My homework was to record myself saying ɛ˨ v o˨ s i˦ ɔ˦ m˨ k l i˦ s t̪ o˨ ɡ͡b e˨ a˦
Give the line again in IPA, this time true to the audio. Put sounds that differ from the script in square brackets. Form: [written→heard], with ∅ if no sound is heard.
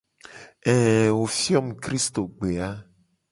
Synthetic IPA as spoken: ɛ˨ [v→w] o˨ [s→f] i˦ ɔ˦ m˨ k [l→ɾ] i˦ s t̪ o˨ ɡ͡b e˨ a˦